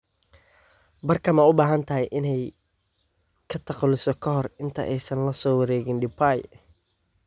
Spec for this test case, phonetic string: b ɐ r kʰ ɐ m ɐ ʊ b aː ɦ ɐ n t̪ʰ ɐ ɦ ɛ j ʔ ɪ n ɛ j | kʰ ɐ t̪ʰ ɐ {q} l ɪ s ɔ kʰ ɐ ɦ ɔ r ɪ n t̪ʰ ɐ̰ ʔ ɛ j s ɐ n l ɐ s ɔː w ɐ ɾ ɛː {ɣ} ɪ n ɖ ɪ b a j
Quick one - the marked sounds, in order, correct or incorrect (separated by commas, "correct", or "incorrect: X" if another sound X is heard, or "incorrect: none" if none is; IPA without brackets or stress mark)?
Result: correct, correct